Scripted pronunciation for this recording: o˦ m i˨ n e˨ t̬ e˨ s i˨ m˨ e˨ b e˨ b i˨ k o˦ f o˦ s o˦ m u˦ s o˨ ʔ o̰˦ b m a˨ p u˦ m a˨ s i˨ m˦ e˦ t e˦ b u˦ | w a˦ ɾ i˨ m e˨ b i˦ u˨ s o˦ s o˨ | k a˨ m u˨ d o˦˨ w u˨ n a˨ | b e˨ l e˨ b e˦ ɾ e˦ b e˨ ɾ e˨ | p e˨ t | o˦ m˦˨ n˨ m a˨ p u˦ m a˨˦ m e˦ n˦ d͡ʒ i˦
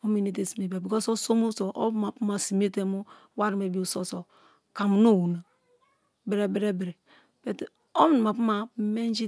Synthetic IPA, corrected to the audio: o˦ m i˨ n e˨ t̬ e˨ s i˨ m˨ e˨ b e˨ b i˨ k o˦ s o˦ s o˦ m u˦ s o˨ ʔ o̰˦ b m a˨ p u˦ m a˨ s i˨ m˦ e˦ t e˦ m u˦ | w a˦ ɾ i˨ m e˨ b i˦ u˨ s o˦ s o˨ | k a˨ m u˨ n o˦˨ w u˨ n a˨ | b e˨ ɾ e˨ b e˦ ɾ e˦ b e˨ ɾ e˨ | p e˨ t | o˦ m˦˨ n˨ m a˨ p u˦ m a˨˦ m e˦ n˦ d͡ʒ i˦